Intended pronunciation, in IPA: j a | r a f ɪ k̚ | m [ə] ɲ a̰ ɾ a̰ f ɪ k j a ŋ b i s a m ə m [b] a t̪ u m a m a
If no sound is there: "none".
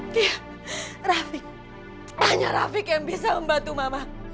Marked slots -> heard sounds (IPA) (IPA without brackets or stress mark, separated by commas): a, b